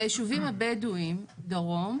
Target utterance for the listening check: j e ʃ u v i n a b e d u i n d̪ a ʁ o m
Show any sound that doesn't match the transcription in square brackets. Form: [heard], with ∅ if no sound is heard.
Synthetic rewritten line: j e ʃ u v i [m] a b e d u i [m] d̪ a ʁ o m